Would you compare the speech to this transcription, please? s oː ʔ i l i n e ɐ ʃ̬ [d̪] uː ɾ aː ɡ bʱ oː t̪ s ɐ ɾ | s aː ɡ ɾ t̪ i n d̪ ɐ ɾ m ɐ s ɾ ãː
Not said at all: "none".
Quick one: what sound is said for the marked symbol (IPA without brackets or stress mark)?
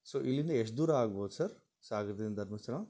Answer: d̪